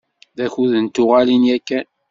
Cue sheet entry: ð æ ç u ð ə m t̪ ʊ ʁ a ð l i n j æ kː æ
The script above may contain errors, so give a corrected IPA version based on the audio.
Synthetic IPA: ð æ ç u ð ə n t̪ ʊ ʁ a l i n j æ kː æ